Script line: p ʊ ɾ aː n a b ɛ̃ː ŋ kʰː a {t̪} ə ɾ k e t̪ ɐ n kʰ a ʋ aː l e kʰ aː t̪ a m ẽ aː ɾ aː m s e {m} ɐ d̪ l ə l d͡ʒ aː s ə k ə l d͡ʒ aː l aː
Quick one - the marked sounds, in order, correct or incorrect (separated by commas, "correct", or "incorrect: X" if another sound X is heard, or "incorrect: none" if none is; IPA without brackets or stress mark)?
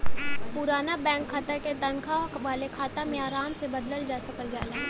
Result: correct, incorrect: b